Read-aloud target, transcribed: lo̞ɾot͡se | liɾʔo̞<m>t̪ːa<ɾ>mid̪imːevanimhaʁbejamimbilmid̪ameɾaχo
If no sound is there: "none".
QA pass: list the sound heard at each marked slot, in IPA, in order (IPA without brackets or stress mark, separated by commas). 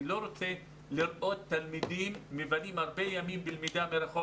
none, l